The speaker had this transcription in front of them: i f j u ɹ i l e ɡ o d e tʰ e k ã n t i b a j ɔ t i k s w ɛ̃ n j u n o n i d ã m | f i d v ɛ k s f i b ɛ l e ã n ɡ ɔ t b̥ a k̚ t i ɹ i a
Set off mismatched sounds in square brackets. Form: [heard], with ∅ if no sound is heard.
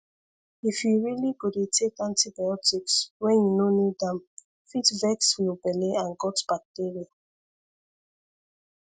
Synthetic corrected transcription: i f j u ɹ i l [i] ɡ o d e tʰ e k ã n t i b a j ɔ t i k s w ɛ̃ n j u n o n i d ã m | f i [t] v ɛ k s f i b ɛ l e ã n ɡ ɔ t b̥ a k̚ t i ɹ i a

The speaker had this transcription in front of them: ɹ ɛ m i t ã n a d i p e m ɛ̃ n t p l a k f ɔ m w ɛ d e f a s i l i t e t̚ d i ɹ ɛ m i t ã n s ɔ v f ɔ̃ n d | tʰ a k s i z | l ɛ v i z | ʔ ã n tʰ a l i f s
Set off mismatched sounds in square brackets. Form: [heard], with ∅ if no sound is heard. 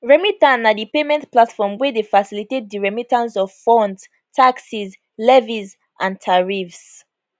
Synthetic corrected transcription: ɹ ɛ m i t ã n a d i p e m ɛ̃ n t p l a [t] f ɔ m w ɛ d e f a s i l i t e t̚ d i ɹ ɛ m i t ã n s ɔ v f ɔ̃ n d | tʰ a k s i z | l ɛ v i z | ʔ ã n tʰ a [ɹ] i f s

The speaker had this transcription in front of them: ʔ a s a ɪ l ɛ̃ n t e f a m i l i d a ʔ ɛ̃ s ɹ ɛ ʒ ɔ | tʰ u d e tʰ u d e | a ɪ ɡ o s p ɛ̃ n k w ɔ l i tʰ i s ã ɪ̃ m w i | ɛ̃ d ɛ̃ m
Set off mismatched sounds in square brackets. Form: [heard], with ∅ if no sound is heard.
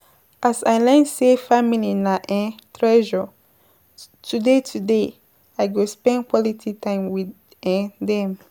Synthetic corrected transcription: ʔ a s a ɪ l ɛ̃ n [s] e f a m i l i [n] a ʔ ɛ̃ [t] ɹ ɛ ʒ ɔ | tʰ u d e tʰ u d e | a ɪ ɡ o s p ɛ̃ n k w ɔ l i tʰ i [t] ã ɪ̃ m w i | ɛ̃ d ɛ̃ m

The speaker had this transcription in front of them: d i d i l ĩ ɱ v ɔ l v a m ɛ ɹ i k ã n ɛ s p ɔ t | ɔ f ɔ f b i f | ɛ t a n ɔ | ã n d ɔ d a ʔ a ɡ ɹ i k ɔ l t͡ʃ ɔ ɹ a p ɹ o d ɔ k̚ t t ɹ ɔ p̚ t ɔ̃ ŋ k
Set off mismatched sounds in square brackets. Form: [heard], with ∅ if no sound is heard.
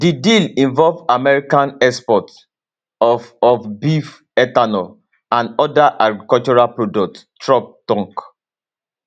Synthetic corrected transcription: d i d i l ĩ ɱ v ɔ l v a m ɛ ɹ i k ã n ɛ s p ɔ t | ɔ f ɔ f b i f | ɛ t a n ɔ | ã n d ɔ d a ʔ a ɡ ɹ i k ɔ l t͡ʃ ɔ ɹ a p ɹ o d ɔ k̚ t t ɹ ɔ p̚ t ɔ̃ ŋ k

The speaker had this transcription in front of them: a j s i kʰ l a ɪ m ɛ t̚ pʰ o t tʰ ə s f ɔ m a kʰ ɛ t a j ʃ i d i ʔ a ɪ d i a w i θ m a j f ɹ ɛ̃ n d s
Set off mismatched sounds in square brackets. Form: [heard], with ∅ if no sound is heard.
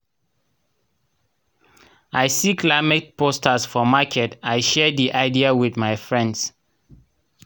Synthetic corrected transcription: a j s i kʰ l a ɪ m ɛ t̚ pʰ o [s] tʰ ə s f ɔ m a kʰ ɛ t a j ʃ [ɛ] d i ʔ a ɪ d i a w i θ m a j f ɹ ɛ̃ n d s

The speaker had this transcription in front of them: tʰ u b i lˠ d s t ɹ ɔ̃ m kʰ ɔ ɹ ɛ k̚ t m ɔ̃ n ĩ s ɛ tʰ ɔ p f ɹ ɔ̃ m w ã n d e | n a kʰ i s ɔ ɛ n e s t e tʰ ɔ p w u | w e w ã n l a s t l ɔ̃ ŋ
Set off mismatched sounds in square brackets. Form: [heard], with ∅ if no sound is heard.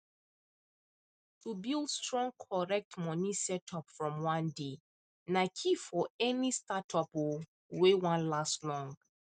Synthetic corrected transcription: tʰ u b i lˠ d s t ɹ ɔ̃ [ŋ] kʰ ɔ ɹ ɛ k̚ t m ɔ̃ n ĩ s ɛ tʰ ɔ p f ɹ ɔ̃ m w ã n d e | n a kʰ i [f] ɔ ɛ n [i] s t [a] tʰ ɔ p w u | w e w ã n l a s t l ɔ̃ ŋ

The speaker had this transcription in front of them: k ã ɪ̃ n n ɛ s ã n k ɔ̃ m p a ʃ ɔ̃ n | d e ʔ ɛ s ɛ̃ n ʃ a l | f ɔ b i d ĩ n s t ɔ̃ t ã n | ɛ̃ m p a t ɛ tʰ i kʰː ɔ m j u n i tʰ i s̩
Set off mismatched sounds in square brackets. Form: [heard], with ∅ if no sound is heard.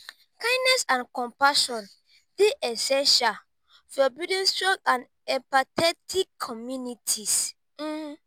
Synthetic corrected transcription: k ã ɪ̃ n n ɛ s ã n k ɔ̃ m p a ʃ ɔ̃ n | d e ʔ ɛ s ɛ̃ n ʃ a l | f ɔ b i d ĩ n s t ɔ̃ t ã n | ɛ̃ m p a t ɛ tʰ i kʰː ɔ m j u n i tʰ i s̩

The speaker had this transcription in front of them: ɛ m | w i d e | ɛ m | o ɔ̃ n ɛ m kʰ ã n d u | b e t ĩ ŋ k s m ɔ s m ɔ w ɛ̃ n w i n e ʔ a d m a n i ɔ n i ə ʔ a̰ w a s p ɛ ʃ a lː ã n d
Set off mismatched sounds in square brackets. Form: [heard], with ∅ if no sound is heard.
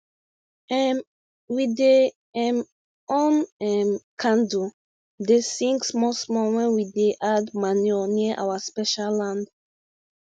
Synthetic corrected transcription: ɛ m | w i d e | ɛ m | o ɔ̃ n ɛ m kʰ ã n d u | [d] e [s] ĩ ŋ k s m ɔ s m ɔ w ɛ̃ n w i [d] e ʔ a d m a n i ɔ n i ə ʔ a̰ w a s p ɛ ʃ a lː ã n d

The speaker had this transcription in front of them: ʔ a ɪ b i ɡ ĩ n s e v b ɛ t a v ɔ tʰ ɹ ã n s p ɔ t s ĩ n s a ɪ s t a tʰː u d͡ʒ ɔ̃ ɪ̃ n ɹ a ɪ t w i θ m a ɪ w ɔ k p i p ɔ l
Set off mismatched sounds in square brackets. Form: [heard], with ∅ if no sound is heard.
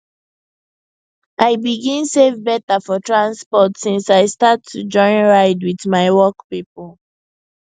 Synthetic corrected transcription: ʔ a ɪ b i ɡ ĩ n s e v b ɛ t a [f] ɔ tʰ ɹ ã n s p ɔ t s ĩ n s a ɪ s t a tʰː u d͡ʒ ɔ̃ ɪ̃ n ɹ a ɪ [d] w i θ m a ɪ w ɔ k p i p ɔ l

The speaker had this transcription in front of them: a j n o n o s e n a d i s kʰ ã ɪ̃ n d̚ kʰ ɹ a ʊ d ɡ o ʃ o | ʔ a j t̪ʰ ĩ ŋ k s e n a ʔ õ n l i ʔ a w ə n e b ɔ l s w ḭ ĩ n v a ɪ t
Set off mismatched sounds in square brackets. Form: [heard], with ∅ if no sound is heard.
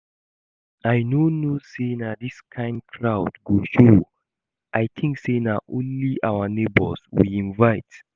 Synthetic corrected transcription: a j n o n o s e n a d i s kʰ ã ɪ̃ n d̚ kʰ ɹ a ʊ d ɡ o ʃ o | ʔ a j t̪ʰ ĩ ŋ k s e n a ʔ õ n l i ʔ a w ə n e b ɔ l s w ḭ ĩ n v a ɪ t

